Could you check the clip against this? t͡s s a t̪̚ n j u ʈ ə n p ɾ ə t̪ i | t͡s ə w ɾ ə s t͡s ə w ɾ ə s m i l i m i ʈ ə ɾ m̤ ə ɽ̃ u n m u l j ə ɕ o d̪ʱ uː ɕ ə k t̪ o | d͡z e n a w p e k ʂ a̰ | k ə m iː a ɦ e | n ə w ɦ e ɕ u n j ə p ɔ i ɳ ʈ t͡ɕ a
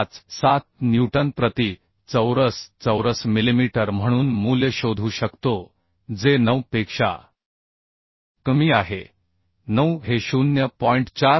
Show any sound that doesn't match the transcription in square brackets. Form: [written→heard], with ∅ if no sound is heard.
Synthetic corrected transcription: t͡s s a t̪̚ n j u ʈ ə n p ɾ ə t̪ i | t͡s ə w ɾ ə s t͡s ə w ɾ ə s m i l i m i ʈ ə ɾ m̤ ə ɽ̃ [u→uː] n m u l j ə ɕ o d̪ʱ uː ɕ ə k t̪ o | d͡z e n [a→ə] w p e k ʂ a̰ | k ə m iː a ɦ e | n ə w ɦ e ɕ u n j ə p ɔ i ɳ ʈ t͡ɕ a